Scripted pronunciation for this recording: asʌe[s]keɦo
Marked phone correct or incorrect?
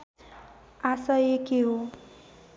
incorrect